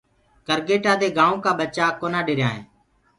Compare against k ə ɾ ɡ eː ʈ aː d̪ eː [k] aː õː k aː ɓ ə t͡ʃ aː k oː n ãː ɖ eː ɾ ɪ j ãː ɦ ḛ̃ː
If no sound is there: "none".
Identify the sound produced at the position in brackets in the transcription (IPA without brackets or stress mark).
ɡ